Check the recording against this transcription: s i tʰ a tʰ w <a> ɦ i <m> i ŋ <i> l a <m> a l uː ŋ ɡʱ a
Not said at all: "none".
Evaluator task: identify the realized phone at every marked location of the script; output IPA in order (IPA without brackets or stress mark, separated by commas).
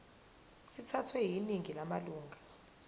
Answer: ɛ, n, i, m